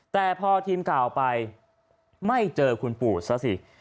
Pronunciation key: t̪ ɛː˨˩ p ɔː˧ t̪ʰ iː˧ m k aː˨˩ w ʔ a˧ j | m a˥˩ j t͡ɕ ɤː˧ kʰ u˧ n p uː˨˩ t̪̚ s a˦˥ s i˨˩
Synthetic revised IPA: t̪ ɛː˨˩ pʰ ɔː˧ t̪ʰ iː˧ m k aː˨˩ w p a˧ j | m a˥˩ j t͡ɕ ɤː˧ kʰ u˧ n p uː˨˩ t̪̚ s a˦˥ s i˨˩